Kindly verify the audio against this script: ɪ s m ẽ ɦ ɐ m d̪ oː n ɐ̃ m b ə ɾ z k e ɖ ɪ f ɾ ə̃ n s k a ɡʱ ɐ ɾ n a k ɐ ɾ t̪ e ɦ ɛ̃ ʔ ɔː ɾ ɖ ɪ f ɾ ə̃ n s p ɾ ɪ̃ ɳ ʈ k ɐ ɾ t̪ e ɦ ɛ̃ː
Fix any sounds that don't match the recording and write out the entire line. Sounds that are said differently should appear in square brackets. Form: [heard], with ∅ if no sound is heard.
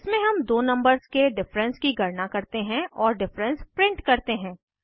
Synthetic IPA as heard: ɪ s m ẽ ɦ ɐ m d̪ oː n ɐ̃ m b ə ɾ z k e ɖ ɪ f ɾ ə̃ n s k [i] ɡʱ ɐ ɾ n a k ɐ ɾ t̪ e ɦ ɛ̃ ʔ ɔː ɾ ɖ ɪ f ɾ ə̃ n s p ɾ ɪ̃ ɳ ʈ k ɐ ɾ t̪ e ɦ ɛ̃ː

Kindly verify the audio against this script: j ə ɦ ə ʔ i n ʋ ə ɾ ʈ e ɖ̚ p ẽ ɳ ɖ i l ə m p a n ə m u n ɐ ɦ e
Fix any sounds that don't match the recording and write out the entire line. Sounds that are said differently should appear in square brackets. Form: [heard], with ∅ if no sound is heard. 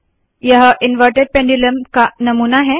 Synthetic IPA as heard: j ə ɦ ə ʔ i n ʋ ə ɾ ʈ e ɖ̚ p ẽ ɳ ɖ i l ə m [k] a n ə m u n [a] ɦ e

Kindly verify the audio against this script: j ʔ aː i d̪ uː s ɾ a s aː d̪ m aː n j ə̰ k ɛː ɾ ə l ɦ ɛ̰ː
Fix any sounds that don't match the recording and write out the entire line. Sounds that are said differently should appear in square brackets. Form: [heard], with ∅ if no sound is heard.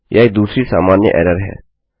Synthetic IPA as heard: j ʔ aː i d̪ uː s ɾ [i] s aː [∅] m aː n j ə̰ [ʔ] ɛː ɾ ə [ɾ] ɦ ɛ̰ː

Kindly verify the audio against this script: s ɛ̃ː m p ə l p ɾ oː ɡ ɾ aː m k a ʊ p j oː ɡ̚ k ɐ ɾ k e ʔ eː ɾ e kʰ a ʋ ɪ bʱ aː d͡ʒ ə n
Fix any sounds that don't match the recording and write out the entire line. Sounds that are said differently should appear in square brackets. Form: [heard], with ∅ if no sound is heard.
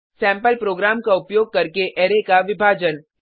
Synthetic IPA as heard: s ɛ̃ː m p ə l p ɾ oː ɡ ɾ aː m k a ʊ p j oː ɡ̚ k ɐ ɾ k e ʔ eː ɾ e [k] a ʋ ɪ bʱ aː d͡ʒ ə n

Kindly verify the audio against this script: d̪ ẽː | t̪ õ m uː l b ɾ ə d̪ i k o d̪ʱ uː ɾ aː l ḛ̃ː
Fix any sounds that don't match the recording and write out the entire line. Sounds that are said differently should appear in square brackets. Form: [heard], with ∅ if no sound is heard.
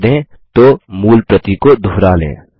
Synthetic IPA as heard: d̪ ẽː | t̪ [o] m uː l [p] ɾ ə [t̪] i k o d̪ʱ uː ɾ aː l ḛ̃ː

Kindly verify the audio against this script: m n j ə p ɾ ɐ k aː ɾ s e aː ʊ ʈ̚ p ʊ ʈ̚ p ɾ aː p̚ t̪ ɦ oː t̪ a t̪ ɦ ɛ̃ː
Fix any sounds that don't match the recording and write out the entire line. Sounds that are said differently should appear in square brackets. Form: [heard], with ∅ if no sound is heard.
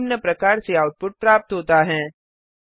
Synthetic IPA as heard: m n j ə p ɾ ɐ k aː ɾ s e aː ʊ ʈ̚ p ʊ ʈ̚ p ɾ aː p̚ t̪ ɦ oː t̪ a [∅] ɦ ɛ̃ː

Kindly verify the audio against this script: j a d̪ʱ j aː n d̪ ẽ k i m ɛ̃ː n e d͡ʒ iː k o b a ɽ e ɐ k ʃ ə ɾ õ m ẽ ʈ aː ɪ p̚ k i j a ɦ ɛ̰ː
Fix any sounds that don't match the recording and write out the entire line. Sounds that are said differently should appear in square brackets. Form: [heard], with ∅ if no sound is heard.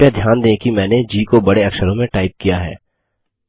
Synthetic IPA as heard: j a d̪ʱ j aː n d̪ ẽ k i m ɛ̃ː n e d͡ʒ iː k o b [ɐ] ɽ e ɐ k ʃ ə ɾ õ m ẽ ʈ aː ɪ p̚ k i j a ɦ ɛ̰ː

